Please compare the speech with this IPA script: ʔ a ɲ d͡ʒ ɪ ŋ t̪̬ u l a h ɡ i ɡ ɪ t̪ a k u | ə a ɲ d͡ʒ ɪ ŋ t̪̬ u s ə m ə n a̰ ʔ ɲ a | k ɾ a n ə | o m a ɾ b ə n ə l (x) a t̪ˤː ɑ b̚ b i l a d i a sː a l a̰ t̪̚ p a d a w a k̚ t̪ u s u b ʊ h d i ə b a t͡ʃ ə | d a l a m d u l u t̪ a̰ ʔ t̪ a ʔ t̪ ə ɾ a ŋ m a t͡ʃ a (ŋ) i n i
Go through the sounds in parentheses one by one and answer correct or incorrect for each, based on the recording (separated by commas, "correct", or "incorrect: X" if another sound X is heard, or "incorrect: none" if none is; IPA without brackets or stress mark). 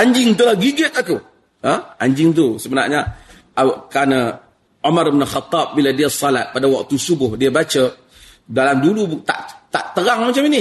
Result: correct, incorrect: m